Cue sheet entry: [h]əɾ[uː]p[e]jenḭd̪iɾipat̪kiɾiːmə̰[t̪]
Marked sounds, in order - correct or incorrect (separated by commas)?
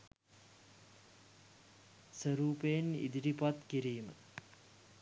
incorrect, correct, correct, incorrect